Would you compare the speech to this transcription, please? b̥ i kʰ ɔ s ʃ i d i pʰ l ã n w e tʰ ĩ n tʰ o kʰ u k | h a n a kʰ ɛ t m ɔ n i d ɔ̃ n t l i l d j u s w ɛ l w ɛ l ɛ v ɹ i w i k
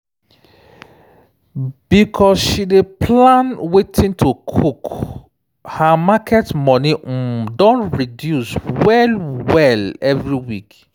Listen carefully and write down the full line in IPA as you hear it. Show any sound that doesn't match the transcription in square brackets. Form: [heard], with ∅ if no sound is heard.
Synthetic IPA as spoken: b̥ i kʰ ɔ s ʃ i d [e] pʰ l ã n w e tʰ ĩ n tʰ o kʰ u k | h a [m] a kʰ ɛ t m ɔ n i d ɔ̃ n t [ɹ] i [∅] d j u s w ɛ l w ɛ l ɛ v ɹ i w i k